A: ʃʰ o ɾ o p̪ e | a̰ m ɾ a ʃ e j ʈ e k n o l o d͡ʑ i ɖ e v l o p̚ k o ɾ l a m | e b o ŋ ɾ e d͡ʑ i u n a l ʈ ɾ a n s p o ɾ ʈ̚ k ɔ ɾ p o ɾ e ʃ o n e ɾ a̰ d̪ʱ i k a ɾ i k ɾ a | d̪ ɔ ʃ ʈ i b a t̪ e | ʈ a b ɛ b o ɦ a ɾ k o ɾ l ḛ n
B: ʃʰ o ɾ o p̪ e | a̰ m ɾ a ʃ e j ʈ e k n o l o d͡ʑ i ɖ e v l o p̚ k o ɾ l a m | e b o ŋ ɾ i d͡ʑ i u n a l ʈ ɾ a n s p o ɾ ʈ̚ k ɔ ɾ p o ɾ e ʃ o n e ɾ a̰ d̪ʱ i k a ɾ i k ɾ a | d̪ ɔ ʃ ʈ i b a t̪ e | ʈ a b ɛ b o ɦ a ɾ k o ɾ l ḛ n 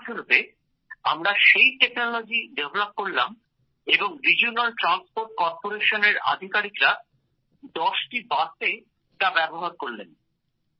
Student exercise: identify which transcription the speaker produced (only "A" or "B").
B